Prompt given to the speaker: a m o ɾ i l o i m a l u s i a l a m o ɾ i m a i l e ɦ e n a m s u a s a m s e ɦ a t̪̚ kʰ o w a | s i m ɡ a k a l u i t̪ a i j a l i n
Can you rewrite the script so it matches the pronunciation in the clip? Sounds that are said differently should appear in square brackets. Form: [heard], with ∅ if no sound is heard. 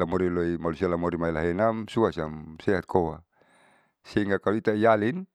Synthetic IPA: a m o ɾ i l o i m a l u s i a l a m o ɾ i m a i l [a] ɦ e n a m s u a s a m s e ɦ a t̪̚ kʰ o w a | s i [ŋ] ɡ a k a l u i t̪ a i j a l i n